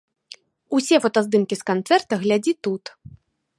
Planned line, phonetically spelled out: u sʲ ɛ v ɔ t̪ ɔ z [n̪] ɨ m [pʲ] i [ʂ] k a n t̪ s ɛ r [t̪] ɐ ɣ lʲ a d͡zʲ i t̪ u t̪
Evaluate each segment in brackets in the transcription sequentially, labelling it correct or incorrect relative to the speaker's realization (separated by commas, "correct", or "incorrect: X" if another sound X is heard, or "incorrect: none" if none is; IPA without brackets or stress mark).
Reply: incorrect: d̪, incorrect: kʲ, incorrect: s, correct